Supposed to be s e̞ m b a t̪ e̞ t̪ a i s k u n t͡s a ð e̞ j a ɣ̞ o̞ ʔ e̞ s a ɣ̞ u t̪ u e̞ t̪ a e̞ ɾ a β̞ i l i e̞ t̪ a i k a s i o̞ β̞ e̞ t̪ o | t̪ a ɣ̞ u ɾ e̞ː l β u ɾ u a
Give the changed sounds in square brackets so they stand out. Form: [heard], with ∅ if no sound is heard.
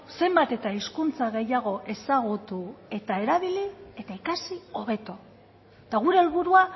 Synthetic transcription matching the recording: s e̞ m b a t̪ e̞ t̪ a i s k u n t͡s a [ɣ] e̞ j a ɣ̞ o̞ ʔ e̞ s a ɣ̞ u t̪ u e̞ t̪ a e̞ ɾ a β̞ i l i e̞ t̪ a i k a s i o̞ β̞ e̞ t̪ o | t̪ a ɣ̞ u ɾ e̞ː l β u ɾ u a